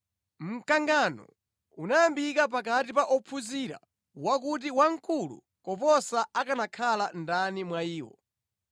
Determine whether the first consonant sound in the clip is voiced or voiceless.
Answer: voiced